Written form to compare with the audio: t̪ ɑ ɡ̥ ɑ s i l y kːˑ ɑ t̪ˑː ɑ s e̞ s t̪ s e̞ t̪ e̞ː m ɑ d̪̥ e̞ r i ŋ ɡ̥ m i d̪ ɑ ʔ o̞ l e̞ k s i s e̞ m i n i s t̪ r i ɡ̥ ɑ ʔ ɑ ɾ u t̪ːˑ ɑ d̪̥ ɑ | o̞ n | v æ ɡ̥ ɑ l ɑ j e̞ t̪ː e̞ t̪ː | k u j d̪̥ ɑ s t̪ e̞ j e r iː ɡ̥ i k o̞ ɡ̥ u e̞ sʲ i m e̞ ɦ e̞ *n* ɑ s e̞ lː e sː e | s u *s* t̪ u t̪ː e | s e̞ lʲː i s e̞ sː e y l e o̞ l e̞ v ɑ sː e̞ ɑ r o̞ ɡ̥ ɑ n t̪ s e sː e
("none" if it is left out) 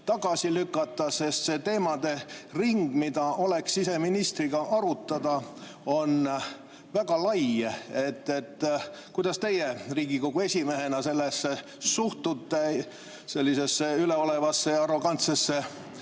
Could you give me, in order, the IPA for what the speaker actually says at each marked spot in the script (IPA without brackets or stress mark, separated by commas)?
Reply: n, h